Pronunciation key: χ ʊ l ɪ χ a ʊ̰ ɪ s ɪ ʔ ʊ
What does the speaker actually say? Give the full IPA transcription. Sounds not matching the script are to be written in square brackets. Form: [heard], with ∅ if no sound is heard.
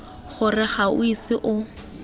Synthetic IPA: χ ʊ [r] ɪ χ a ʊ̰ [i] s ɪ ʔ ʊ